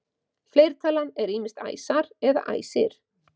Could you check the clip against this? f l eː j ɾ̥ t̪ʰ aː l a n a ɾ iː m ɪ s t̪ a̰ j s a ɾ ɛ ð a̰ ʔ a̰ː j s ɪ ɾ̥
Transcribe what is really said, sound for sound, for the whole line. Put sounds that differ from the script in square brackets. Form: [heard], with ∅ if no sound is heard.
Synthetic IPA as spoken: f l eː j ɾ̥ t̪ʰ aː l a n [ɛ] ɾ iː m ɪ s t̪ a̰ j s a ɾ ɛ ð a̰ ʔ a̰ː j s ɪ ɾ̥